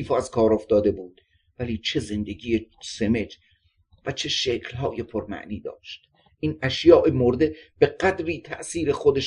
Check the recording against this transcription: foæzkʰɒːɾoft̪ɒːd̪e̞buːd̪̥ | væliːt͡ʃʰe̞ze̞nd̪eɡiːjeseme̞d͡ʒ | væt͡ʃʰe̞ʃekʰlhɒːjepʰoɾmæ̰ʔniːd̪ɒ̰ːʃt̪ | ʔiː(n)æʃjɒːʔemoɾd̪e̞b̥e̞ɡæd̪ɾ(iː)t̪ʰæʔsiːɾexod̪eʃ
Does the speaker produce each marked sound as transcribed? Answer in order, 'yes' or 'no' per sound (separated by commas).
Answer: yes, yes